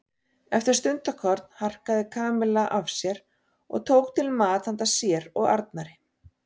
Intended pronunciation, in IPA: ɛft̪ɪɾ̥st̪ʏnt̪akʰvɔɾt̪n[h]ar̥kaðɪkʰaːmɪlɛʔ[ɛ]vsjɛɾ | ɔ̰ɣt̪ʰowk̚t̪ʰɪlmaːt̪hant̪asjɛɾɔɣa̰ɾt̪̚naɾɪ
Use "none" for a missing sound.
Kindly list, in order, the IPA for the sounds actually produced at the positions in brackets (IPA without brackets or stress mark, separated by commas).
h, a